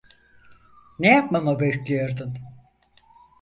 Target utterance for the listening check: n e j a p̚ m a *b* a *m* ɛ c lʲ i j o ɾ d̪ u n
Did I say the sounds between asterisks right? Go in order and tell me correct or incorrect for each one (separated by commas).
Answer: incorrect, incorrect